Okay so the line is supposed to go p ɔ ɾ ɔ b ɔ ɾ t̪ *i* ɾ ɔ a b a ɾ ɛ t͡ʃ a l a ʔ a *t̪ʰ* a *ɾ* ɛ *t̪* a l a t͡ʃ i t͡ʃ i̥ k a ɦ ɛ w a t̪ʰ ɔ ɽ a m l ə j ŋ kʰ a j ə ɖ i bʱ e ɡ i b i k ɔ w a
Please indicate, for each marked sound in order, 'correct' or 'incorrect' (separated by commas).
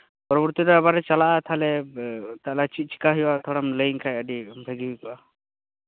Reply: correct, correct, incorrect, correct